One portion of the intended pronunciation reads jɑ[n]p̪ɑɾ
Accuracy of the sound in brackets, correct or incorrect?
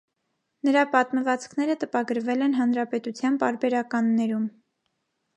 correct